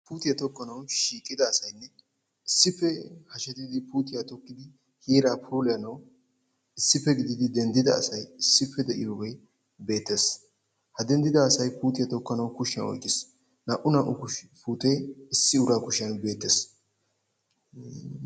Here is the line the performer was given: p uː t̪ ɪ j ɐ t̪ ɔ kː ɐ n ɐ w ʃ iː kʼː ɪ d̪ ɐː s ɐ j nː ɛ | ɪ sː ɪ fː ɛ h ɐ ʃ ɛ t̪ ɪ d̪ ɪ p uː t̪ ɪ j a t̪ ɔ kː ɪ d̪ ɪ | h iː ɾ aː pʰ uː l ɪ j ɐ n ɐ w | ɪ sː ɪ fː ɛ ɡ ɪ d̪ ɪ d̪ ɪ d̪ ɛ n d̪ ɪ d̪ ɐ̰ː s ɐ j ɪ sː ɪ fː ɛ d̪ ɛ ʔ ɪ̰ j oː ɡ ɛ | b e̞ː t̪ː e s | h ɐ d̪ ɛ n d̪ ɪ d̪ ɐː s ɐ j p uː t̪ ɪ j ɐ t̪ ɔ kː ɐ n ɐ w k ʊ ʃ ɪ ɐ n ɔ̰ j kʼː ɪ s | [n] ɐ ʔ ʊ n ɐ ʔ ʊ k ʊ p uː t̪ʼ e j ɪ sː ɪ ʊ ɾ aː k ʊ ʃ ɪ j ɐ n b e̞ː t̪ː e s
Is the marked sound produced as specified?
yes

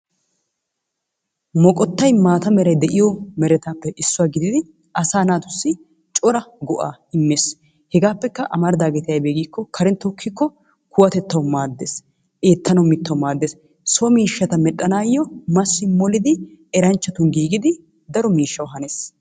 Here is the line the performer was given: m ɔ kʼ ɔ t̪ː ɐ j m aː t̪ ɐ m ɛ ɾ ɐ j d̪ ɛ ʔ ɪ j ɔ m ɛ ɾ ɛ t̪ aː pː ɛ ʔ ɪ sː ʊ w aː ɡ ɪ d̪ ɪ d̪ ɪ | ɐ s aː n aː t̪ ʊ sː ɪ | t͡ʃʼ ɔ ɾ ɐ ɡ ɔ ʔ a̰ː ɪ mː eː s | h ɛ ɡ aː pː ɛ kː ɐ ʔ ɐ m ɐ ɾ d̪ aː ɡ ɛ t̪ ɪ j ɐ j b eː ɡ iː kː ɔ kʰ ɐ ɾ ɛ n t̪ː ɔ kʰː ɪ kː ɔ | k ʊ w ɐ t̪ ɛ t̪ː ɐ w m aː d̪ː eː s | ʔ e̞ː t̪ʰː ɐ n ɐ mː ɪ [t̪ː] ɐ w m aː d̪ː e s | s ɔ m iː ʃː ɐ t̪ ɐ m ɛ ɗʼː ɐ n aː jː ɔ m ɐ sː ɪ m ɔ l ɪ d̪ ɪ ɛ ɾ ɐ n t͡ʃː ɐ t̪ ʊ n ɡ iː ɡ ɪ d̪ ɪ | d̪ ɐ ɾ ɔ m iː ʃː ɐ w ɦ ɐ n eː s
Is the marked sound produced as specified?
yes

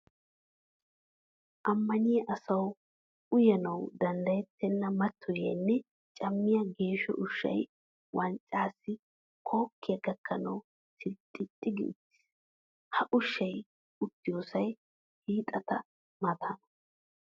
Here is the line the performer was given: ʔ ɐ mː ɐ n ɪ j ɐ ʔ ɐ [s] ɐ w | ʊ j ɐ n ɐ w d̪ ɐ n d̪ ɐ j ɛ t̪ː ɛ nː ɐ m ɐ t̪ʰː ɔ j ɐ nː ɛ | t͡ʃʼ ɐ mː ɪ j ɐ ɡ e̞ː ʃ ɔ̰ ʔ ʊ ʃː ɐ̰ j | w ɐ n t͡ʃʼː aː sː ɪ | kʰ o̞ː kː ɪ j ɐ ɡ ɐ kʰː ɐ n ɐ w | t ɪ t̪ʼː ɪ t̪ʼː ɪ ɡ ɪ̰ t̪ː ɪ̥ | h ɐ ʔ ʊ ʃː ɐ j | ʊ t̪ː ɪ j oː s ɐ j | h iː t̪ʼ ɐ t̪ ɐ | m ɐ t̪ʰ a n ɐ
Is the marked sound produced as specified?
yes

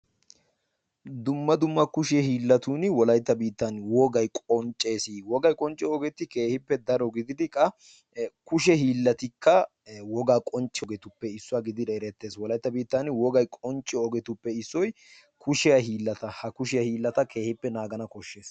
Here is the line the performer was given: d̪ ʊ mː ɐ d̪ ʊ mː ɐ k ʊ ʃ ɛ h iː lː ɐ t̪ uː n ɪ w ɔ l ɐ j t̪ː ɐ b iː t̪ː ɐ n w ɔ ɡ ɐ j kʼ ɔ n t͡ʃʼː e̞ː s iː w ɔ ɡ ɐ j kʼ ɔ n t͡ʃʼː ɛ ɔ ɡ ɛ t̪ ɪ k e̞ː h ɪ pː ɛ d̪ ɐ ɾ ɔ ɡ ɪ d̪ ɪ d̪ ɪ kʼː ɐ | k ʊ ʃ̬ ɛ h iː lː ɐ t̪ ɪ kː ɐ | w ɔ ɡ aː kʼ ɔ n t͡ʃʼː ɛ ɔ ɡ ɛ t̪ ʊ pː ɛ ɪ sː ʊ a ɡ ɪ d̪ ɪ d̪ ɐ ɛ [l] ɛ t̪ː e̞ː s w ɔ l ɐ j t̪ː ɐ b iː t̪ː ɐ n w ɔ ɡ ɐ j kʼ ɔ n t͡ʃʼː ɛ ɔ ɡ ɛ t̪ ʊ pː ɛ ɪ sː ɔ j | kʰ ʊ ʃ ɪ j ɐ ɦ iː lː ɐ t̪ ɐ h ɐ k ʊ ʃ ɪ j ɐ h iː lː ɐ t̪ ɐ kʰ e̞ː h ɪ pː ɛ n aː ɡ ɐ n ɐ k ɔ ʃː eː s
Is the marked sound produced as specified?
no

